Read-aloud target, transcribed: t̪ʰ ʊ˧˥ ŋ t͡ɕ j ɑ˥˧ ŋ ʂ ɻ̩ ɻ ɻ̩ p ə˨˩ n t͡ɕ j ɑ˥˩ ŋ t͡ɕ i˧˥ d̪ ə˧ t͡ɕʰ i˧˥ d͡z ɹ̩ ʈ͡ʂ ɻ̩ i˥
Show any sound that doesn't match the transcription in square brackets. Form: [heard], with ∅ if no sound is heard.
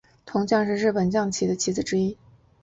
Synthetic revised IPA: t̪ʰ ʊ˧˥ ŋ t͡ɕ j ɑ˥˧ ŋ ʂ ɻ̩ ɻ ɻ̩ p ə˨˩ n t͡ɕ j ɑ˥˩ ŋ [t͡ɕʰ] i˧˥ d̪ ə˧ t͡ɕʰ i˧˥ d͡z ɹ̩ ʈ͡ʂ ɻ̩ i˥

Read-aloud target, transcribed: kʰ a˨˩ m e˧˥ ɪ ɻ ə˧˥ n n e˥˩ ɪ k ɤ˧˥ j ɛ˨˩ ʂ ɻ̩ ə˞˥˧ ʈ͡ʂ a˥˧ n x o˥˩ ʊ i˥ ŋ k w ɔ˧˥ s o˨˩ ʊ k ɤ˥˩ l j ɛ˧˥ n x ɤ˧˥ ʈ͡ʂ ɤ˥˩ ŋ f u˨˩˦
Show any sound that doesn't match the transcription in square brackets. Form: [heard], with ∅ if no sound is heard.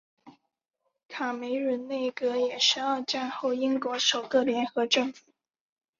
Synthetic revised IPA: kʰ a˨˩ m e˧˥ ɪ ɻ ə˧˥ n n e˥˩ ɪ k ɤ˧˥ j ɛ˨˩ ʂ ɻ̩ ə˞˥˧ ʈ͡ʂ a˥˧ n x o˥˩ ʊ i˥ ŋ k w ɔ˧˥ [ʂ] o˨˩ ʊ k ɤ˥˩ l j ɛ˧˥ n x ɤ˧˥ ʈ͡ʂ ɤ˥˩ ŋ f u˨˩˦

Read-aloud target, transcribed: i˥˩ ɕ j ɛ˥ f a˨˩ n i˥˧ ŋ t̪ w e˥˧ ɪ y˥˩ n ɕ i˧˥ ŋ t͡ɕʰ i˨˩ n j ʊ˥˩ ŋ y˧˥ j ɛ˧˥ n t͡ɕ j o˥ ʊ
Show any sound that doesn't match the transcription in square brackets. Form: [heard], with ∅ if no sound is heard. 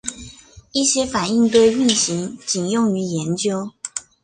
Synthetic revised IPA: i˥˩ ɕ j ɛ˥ f a˨˩ n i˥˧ ŋ t̪ w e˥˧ ɪ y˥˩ n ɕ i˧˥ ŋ [t͡ɕ] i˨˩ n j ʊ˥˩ ŋ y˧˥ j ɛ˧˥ n t͡ɕ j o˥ ʊ

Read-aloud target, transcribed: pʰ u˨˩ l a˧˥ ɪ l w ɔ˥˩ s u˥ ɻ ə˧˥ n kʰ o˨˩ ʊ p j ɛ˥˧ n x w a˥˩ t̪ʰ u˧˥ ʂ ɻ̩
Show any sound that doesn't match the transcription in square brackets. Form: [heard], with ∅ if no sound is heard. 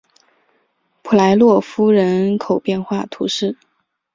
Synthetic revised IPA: pʰ u˨˩ l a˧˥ ɪ l w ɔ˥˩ [f] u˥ ɻ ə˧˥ n kʰ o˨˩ ʊ p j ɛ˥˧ n x w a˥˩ t̪ʰ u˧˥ ʂ ɻ̩

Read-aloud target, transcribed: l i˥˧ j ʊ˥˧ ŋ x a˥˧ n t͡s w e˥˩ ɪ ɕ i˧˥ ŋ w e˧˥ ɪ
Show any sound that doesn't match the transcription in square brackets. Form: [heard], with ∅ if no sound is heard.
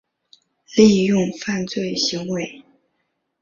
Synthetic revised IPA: l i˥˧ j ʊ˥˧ ŋ [f] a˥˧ n t͡s w e˥˩ ɪ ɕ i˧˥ ŋ w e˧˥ ɪ

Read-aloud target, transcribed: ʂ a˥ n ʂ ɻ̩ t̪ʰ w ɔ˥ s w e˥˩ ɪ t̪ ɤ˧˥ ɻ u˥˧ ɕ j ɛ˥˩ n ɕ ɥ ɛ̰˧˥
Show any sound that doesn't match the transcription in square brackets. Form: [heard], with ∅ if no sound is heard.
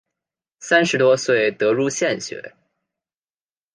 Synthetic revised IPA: [s] a˥ n ʂ ɻ̩ [t̪] w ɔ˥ s w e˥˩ ɪ t̪ ɤ˧˥ ɻ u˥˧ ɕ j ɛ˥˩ n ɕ ɥ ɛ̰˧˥

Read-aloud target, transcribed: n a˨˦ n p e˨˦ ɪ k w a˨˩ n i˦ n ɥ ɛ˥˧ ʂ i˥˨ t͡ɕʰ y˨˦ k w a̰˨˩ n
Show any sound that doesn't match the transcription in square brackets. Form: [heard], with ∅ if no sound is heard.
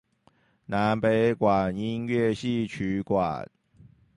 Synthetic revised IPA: n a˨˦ n p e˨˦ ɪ k w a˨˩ n i˦ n ɥ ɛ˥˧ [ɕ] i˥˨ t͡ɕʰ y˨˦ k w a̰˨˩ n

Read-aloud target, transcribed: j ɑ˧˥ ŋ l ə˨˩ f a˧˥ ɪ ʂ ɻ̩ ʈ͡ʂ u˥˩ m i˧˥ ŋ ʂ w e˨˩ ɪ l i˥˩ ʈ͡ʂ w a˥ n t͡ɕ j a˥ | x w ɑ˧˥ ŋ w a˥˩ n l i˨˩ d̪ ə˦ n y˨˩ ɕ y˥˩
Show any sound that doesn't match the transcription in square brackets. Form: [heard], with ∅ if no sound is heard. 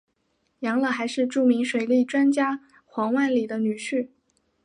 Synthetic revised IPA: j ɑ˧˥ ŋ l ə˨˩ [x] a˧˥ ɪ ʂ ɻ̩ ʈ͡ʂ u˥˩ m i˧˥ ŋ ʂ w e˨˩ ɪ l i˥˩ ʈ͡ʂ w a˥ n t͡ɕ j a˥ | x w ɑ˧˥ ŋ w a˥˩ n l i˨˩ d̪ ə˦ n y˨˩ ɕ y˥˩

